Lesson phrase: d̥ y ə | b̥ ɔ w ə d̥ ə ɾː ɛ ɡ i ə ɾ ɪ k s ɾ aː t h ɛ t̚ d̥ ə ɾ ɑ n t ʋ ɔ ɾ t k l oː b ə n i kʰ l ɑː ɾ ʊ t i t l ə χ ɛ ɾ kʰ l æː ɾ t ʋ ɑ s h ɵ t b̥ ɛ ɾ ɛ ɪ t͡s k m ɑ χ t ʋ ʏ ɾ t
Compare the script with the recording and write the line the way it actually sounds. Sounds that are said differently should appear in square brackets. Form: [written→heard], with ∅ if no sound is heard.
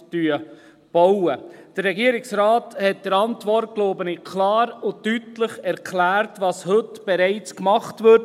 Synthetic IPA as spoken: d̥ y ə | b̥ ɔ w ə d̥ ə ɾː ɛ ɡ i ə ɾ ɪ k s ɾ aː t h ɛ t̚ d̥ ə ɾ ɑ n t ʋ ɔ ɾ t k l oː b ə n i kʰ l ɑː ɾ ʊ t [i→y] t l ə χ ɛ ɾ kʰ l æː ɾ t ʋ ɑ s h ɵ t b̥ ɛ ɾ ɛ ɪ t͡s k m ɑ χ t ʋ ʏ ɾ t